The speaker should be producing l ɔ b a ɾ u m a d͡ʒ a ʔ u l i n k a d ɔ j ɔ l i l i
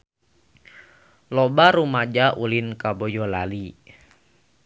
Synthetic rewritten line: l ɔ b a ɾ u m a d͡ʒ a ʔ u l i n k a b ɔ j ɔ l a l i